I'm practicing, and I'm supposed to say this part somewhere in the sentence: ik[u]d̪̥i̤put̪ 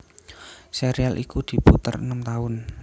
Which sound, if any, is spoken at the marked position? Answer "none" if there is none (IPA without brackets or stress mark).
u